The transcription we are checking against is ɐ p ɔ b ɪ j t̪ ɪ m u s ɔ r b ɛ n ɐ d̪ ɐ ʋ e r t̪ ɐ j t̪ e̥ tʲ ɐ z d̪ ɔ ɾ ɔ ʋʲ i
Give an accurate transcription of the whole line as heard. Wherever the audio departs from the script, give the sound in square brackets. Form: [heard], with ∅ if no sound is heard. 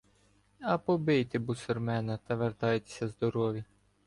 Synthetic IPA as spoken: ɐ p ɔ b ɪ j t̪ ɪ [b] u s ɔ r [m] ɛ n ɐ [t̪] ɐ ʋ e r t̪ [ɑ] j t̪ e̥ [sʲ] ɐ z d̪ ɔ ɾ ɔ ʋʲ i